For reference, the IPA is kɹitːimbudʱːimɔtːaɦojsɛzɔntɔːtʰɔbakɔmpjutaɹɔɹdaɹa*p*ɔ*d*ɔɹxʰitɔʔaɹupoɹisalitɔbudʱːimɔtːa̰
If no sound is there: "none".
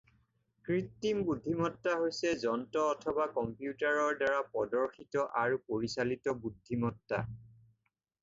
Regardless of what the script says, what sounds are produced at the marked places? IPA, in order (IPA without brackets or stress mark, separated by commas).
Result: p, d